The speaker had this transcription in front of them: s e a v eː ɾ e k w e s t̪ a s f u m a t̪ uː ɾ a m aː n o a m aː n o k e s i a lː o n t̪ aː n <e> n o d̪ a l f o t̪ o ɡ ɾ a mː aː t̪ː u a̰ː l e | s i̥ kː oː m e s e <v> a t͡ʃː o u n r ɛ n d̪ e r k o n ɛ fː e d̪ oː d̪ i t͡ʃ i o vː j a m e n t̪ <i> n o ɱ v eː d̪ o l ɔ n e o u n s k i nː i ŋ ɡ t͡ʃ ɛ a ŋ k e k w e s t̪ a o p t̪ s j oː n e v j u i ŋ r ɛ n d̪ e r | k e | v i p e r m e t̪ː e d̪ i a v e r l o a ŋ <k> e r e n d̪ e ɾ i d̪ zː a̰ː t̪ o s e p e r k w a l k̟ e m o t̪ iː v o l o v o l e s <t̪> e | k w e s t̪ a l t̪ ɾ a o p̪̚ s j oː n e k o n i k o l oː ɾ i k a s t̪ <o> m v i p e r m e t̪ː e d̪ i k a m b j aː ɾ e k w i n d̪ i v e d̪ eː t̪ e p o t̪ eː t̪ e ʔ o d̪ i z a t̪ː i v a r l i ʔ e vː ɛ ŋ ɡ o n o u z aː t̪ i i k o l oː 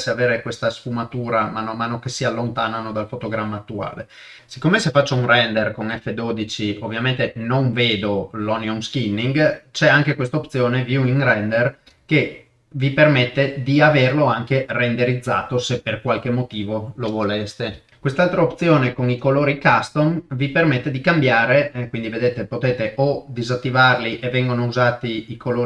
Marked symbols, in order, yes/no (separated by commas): no, no, no, yes, yes, yes